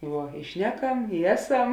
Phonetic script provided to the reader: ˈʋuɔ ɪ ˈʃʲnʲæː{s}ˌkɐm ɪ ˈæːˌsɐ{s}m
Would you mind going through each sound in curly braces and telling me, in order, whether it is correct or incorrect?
incorrect: none, incorrect: none

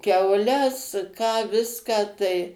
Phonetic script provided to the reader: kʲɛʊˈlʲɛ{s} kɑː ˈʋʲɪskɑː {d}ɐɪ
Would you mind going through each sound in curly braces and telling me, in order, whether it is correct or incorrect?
correct, incorrect: t

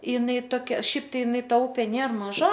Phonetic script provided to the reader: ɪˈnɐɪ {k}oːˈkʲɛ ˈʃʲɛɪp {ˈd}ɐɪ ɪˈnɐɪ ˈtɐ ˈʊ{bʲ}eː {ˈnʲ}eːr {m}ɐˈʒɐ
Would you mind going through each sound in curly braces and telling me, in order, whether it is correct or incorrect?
incorrect: t, incorrect: t, incorrect: pʲ, correct, correct

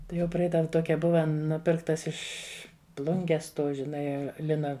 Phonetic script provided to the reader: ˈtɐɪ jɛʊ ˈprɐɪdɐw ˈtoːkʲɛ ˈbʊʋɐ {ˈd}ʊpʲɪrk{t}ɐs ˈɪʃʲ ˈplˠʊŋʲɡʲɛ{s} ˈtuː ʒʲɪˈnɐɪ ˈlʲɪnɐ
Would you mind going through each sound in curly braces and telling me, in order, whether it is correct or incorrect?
incorrect: n, correct, correct

